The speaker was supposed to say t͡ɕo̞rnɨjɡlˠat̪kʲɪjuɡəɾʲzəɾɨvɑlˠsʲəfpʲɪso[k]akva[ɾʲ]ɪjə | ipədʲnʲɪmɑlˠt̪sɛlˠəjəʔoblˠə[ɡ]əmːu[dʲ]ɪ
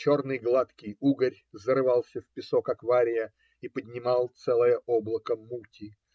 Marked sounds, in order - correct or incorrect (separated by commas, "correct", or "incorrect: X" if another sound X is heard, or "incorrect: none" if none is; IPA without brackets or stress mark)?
correct, correct, incorrect: k, incorrect: tʲ